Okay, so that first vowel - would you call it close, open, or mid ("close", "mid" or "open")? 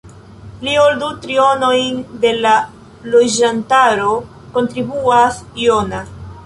close